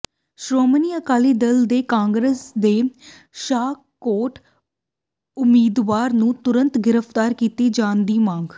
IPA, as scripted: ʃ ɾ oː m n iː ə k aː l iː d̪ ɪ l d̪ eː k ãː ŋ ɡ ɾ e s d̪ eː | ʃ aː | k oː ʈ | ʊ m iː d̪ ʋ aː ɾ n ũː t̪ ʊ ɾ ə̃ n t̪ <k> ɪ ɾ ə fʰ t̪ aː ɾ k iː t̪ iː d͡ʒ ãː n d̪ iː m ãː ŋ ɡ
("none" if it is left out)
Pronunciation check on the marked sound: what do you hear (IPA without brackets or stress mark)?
ɡ